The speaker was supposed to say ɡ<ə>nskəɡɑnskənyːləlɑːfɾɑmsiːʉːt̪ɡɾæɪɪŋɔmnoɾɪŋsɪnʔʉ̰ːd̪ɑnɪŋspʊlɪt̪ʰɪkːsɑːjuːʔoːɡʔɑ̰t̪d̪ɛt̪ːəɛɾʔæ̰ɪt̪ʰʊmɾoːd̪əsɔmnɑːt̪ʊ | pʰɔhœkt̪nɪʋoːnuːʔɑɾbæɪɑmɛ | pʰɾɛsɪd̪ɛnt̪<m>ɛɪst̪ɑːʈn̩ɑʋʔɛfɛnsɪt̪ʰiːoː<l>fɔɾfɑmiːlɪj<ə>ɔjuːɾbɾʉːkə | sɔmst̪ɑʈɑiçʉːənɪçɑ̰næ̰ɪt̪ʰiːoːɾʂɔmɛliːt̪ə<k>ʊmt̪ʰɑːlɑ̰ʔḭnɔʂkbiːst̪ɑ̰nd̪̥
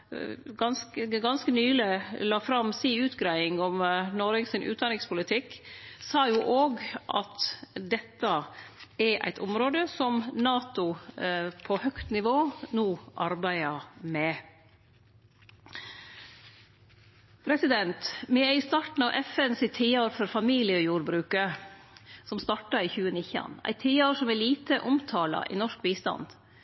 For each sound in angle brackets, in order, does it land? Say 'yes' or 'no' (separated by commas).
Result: no, yes, no, yes, no